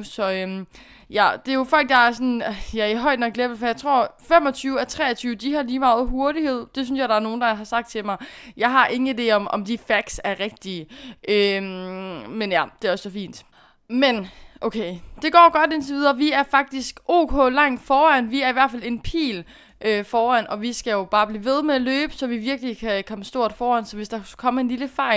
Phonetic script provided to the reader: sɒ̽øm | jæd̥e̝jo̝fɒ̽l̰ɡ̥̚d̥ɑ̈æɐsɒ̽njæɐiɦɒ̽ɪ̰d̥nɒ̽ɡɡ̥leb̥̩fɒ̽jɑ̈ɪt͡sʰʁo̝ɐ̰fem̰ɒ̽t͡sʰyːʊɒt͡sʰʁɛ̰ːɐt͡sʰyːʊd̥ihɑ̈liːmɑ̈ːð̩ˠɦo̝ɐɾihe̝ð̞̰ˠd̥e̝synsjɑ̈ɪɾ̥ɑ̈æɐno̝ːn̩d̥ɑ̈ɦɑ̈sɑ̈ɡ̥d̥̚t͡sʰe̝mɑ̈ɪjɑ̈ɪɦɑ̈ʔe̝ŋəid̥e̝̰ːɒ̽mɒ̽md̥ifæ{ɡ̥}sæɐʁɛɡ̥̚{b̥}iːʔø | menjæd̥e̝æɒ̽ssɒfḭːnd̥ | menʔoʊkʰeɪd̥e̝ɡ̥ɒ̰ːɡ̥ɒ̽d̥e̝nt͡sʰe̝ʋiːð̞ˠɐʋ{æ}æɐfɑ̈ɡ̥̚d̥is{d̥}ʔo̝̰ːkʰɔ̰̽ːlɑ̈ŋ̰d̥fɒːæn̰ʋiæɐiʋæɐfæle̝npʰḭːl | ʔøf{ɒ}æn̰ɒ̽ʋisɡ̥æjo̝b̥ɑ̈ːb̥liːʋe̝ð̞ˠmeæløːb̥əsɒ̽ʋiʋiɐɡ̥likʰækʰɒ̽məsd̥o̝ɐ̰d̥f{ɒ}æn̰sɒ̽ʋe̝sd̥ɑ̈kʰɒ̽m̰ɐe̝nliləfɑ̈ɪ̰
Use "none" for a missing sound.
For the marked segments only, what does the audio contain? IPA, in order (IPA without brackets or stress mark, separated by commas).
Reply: ɡ̥, d̥, i, ɡ̥, ɒː, ɒː